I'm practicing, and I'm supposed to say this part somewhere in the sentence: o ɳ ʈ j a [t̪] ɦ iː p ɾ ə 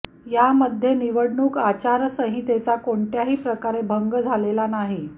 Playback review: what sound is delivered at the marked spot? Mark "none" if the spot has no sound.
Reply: none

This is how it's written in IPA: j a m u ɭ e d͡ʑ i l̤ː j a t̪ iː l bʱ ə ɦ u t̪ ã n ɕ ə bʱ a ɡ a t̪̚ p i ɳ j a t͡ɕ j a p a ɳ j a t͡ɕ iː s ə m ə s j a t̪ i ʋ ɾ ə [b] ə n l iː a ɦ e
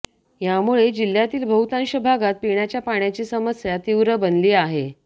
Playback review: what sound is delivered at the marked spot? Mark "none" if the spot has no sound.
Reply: b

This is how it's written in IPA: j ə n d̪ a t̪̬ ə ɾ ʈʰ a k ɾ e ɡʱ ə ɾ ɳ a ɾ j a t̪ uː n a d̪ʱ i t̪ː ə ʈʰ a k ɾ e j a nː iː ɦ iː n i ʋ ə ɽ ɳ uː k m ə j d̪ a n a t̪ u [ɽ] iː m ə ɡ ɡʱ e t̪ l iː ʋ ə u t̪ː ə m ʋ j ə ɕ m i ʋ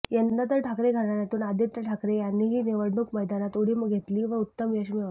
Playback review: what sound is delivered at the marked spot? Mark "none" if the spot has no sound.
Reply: ɽ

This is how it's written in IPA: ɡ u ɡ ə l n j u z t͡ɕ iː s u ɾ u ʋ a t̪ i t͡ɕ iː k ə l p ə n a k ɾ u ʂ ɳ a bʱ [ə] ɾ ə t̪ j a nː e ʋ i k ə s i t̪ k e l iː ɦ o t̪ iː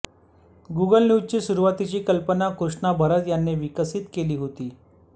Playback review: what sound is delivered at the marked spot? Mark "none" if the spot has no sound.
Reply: ə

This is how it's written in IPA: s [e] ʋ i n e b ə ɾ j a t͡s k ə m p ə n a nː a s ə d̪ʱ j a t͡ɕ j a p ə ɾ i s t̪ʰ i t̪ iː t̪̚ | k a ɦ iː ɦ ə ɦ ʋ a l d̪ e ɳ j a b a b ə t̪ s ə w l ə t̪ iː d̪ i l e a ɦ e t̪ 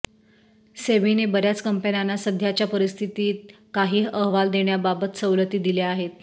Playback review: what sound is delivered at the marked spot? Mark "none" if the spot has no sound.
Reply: e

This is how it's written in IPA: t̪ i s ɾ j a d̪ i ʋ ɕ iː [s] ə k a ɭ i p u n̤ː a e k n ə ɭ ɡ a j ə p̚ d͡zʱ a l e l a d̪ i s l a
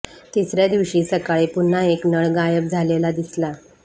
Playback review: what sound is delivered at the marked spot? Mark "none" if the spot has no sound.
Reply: s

